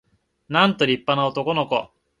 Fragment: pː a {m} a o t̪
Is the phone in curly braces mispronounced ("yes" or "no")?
yes